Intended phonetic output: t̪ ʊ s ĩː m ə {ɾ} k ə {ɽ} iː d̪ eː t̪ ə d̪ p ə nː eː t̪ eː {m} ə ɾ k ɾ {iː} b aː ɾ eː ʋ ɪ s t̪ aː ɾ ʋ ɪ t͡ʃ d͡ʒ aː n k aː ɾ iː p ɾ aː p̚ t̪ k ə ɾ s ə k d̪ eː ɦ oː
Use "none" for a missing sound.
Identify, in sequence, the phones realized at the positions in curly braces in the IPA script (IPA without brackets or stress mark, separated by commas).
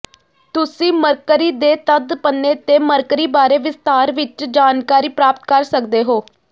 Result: ɾ, ɾ, m, iː